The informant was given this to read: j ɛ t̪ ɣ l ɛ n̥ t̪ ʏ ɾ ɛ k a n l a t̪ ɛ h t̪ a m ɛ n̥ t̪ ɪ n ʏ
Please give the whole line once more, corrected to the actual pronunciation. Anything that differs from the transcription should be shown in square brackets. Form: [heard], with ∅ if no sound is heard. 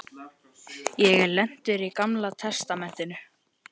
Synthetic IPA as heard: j ɛ [∅] ɣ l ɛ n̥ t̪ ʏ ɾ [i] k a [m] l a [t̪ʰ] ɛ [s] t̪ a m ɛ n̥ t̪ ɪ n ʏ